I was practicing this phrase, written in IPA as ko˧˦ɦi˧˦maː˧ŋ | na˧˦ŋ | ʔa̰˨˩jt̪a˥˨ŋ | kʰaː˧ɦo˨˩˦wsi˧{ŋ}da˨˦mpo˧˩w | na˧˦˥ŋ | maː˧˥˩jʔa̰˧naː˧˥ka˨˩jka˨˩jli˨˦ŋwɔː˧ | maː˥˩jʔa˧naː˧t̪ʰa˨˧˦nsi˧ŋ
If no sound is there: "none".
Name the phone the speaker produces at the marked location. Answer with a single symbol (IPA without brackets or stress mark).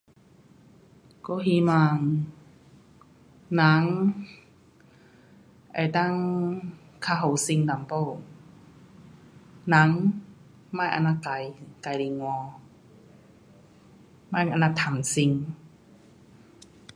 ŋ